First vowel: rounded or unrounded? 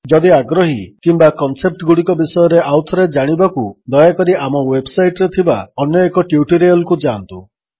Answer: rounded